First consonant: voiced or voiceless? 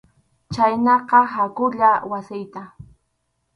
voiceless